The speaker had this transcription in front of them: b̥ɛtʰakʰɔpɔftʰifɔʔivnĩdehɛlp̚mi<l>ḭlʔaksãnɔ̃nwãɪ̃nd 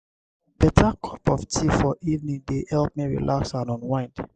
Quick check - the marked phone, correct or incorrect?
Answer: incorrect